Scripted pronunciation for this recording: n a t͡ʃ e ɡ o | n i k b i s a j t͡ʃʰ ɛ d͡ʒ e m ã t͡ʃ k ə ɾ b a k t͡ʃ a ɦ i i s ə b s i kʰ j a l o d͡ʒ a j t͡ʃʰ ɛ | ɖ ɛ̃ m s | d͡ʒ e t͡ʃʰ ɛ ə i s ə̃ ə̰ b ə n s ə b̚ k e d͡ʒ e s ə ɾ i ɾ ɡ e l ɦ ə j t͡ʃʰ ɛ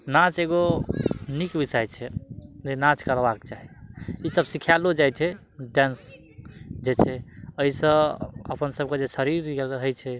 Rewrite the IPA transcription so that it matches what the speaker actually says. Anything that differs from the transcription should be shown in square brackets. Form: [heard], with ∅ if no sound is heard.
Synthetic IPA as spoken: n a t͡ʃ e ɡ o | n i k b i s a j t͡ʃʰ ɛ d͡ʒ e [n] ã t͡ʃ k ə ɾ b a k t͡ʃ a ɦ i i s ə b s i kʰ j a l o d͡ʒ a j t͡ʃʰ ɛ | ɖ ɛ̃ [n] s | d͡ʒ e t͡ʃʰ ɛ ə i s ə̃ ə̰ [p] ə n s ə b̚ k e d͡ʒ e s ə ɾ i ɾ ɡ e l ɦ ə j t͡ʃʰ ɛ